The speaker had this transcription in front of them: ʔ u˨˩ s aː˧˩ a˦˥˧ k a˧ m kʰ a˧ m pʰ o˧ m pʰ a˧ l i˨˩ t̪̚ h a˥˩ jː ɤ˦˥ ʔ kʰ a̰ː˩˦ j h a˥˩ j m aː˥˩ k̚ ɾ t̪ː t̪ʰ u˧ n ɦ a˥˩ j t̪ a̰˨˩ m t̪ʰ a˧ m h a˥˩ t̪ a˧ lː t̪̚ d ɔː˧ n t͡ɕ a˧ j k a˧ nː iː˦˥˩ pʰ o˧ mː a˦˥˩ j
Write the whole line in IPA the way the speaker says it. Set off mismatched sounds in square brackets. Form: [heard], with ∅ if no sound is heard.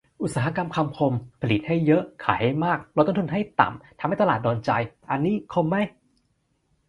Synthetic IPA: ʔ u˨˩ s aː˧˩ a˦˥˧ k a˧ m kʰ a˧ m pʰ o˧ m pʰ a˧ l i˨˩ t̪̚ h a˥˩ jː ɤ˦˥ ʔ kʰ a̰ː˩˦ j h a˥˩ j m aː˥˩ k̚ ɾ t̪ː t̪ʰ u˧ n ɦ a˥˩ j t̪ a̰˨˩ m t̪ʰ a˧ m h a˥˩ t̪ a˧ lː t̪̚ d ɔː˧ n t͡ɕ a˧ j [ʔ] a˧ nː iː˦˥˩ [kʰ] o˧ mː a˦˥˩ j